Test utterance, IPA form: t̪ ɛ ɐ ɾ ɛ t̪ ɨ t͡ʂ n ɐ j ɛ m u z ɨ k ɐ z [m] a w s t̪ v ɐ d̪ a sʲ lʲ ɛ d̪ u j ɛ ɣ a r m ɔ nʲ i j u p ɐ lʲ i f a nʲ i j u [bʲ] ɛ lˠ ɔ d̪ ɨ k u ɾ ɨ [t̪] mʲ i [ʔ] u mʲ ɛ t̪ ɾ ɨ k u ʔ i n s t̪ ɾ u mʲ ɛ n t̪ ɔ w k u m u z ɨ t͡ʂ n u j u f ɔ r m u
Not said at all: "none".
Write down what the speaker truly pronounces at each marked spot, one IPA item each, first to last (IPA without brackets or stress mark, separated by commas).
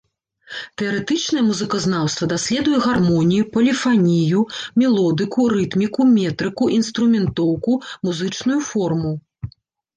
n, mʲ, t̪, k